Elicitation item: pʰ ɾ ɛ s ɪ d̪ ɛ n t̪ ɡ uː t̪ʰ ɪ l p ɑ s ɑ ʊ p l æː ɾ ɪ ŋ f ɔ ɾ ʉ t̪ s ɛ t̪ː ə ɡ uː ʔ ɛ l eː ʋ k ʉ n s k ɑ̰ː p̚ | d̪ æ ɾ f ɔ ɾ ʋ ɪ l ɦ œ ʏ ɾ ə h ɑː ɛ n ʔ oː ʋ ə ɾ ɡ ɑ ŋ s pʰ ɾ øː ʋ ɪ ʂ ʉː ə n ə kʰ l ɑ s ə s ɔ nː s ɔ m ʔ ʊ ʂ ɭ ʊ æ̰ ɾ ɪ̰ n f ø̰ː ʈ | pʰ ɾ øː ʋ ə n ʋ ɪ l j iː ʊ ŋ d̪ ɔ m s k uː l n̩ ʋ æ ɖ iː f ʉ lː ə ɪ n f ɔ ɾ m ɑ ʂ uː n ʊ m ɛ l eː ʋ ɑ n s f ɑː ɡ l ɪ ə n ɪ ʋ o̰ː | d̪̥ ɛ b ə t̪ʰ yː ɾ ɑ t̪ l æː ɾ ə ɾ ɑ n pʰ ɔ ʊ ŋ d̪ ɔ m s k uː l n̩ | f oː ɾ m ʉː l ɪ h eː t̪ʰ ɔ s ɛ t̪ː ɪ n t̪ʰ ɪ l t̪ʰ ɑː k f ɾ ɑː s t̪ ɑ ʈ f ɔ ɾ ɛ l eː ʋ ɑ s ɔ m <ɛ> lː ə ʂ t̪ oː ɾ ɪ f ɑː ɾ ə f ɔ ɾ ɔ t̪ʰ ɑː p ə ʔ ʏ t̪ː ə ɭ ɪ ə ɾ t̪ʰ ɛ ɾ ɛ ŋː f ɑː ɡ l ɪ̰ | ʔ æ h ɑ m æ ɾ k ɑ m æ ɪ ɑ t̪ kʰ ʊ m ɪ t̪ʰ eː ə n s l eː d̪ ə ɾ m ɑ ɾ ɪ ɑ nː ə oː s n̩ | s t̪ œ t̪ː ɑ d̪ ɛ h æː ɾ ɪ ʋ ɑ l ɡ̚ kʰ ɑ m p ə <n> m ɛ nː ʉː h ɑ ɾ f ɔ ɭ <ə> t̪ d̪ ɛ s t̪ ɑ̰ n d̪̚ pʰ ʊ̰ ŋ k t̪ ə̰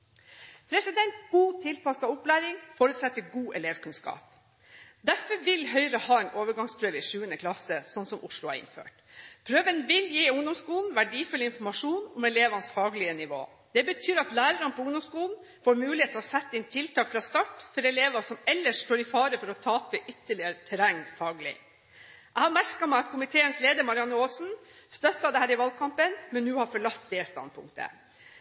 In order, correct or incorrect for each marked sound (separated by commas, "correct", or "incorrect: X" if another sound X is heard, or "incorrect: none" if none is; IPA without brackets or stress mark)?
correct, correct, incorrect: ɑ